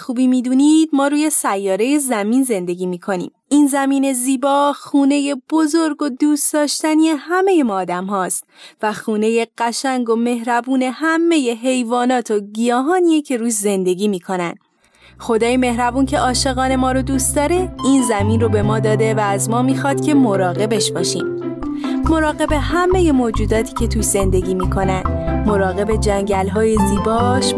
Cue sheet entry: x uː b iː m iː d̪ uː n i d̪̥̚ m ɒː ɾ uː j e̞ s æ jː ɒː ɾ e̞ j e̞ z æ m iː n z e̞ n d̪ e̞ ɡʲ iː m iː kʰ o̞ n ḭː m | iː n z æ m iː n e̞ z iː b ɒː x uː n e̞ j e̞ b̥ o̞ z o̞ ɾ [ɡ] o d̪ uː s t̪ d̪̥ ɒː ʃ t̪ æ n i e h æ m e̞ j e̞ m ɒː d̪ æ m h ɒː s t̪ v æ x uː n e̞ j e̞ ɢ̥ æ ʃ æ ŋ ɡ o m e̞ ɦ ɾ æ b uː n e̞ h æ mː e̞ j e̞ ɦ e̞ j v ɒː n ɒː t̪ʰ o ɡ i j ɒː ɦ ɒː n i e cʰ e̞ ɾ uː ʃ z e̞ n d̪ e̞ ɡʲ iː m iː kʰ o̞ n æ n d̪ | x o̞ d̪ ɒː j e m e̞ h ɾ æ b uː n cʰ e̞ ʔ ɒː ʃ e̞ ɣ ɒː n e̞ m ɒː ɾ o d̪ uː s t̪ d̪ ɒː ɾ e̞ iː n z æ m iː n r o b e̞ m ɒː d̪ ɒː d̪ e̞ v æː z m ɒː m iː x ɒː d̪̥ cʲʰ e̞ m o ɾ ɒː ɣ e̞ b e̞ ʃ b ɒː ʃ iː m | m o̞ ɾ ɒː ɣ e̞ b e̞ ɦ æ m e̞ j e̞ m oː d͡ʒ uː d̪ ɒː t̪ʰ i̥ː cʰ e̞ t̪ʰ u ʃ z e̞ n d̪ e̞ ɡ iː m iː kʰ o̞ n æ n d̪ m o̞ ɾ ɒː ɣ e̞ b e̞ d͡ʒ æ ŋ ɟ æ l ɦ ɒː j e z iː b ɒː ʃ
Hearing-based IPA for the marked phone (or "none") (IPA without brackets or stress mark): ɡ